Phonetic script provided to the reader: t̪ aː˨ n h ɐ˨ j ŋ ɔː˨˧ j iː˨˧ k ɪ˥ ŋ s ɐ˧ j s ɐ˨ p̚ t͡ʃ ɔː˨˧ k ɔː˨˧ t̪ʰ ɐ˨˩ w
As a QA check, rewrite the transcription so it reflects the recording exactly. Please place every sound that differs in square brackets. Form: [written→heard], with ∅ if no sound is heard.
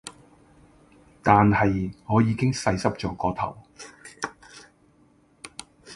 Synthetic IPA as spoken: t̪ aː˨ n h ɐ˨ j ŋ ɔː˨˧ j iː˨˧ k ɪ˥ ŋ s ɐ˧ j s [ɐ˨→ɐ˥] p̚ t͡ʃ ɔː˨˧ k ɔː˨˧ t̪ʰ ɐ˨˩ w